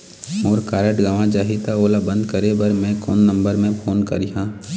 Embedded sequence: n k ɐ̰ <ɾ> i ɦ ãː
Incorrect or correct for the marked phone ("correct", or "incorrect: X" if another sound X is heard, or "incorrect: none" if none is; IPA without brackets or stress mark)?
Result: correct